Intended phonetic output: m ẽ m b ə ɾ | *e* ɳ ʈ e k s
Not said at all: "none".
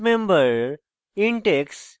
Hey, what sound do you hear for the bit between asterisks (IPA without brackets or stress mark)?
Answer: i